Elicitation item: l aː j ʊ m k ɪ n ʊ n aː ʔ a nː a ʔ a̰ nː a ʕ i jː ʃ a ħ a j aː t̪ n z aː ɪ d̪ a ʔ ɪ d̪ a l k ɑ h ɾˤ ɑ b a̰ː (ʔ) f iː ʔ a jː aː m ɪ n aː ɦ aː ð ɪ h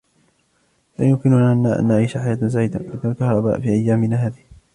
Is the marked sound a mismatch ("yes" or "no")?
no